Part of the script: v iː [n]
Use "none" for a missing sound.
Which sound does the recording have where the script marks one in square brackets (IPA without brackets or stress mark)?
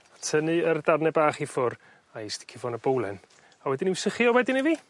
none